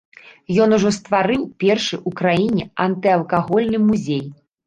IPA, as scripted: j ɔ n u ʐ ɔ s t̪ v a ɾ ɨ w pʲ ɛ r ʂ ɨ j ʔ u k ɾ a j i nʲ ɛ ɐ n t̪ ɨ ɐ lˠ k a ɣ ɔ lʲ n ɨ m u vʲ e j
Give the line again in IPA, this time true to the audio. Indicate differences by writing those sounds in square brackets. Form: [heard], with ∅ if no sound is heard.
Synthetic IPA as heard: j ɔ n u ʐ ɔ s t̪ v a ɾ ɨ w pʲ ɛ r ʂ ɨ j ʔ u k ɾ a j i nʲ ɛ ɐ n t̪ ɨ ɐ lˠ k a ɣ ɔ lʲ n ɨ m u [zʲ] e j